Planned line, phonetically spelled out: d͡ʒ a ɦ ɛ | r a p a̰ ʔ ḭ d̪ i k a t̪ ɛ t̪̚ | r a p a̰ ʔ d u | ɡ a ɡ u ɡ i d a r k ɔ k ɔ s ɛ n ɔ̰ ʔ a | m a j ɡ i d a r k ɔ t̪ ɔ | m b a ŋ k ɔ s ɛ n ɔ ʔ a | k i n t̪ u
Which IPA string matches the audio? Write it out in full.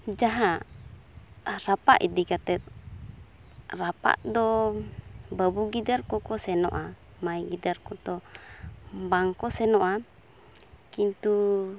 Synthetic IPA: d͡ʒ a ɦ a | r a p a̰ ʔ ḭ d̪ i k a t̪ ɛ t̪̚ | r a p a̰ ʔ d ɔ | b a b u ɡ i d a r k ɔ k ɔ s ɛ n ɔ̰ ʔ a | m a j ɡ i d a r k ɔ t̪ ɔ | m b a ŋ k ɔ s ɛ n ɔ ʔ a | k i n t̪ u